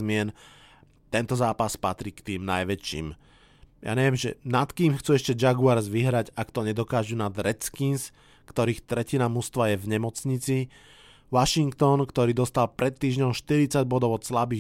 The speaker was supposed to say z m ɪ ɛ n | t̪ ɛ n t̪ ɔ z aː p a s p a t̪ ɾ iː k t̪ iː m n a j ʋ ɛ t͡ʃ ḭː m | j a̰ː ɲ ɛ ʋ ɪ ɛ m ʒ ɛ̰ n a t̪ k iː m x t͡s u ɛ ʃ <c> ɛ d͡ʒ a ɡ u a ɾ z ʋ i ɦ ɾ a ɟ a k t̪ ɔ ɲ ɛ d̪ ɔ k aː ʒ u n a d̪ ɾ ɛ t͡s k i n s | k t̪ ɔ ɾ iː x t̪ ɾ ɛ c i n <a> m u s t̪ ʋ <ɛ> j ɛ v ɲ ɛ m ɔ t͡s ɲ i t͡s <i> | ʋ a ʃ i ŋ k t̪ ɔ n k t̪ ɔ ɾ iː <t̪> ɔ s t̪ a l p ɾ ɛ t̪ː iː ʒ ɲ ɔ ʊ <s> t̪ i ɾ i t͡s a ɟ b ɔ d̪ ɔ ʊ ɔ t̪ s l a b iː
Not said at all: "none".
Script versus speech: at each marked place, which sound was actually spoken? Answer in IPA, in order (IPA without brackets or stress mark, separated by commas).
c, a, a, i, d̪, ʃ